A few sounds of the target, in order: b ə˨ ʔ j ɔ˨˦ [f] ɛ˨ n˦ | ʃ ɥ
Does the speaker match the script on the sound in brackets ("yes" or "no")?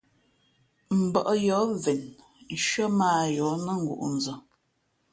no